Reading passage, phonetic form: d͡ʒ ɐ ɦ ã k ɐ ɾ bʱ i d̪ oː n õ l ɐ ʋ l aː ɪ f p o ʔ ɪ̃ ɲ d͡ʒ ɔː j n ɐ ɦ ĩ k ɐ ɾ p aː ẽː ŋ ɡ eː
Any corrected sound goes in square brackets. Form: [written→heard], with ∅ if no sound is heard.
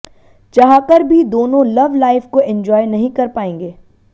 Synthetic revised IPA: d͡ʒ ɐ ɦ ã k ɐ ɾ bʱ i d̪ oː n õ l ɐ ʋ l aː ɪ f [p→k] o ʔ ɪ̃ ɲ d͡ʒ ɔː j n ɐ ɦ ĩ k ɐ ɾ p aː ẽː ŋ ɡ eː